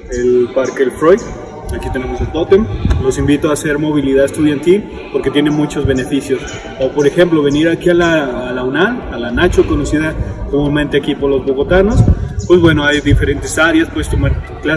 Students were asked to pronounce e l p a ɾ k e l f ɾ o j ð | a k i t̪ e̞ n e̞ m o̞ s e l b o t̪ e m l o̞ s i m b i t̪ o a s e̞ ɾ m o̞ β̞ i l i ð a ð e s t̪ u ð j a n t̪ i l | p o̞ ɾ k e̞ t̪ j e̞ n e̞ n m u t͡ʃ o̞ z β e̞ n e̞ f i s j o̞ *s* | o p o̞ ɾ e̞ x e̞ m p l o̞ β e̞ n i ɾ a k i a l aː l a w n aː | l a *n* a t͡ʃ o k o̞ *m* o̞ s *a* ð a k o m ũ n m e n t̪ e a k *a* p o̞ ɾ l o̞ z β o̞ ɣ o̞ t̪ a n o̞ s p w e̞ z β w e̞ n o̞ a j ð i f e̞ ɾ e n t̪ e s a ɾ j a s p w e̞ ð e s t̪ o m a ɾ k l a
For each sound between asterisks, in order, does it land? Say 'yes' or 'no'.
yes, yes, no, no, no

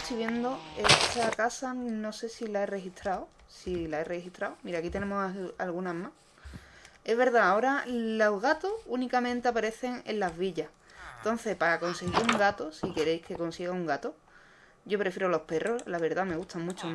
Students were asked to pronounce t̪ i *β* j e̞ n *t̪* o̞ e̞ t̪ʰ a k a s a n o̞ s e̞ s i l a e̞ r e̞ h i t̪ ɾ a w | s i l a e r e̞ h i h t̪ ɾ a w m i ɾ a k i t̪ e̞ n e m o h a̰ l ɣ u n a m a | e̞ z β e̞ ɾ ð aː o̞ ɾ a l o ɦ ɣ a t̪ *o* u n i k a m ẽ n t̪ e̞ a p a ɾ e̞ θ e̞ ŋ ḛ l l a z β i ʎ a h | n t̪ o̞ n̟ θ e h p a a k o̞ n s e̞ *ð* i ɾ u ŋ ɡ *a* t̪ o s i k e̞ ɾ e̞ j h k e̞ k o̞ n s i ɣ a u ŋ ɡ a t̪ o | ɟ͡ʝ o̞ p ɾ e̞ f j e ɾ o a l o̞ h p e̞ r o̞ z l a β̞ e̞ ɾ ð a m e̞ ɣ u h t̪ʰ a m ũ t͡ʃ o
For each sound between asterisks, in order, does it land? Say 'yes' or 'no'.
yes, no, yes, no, yes

